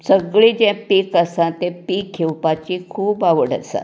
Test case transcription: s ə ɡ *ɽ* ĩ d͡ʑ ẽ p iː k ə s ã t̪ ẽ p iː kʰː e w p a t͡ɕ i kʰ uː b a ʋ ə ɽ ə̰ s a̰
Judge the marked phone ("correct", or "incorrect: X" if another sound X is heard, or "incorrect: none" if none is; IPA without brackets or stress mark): incorrect: ɭ